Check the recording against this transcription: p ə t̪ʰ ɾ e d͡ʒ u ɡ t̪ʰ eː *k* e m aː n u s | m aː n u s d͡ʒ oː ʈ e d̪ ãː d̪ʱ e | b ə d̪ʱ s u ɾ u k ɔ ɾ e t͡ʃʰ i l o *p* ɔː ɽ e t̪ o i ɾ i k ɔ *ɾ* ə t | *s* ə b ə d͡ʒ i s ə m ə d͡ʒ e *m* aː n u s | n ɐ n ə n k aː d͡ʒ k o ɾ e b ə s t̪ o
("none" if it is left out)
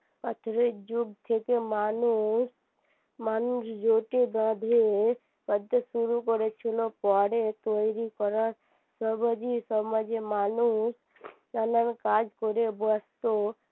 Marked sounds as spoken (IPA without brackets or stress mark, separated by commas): k, p, ɾ, s, m